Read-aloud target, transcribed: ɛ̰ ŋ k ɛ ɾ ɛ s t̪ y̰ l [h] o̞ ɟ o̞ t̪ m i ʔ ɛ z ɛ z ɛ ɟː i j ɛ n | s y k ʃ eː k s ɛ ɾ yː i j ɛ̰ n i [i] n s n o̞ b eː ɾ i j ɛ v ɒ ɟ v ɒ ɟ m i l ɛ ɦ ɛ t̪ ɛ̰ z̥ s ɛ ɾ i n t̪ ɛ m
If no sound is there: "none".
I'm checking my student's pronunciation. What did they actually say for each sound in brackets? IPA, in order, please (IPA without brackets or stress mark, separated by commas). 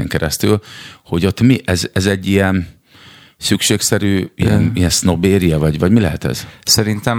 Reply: h, ɛ